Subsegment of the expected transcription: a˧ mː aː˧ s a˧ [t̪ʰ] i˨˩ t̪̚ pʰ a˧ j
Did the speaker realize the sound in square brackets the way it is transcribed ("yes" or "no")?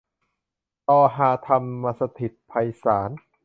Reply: yes